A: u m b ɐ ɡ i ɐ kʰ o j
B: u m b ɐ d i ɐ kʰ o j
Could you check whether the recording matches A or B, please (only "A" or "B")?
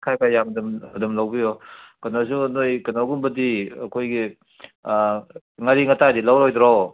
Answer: B